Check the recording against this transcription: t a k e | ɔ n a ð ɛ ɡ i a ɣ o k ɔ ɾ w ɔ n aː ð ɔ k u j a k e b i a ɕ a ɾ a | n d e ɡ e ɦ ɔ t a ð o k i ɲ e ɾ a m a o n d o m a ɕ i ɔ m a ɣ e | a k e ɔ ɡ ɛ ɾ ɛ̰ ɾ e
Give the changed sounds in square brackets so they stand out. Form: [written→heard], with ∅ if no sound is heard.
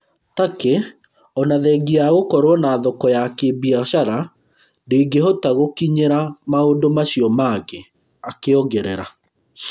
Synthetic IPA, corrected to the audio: t a k e | ɔ n a ð ɛ ɡ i a ɣ o k ɔ ɾ w ɔ n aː ð ɔ k [u→ɔ] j a k e b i a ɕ a ɾ a | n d e ɡ e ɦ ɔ t a [ð→ɣ] o k i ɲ e ɾ a m a o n d o m a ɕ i ɔ m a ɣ e | a k e ɔ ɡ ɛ ɾ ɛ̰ ɾ [e→a]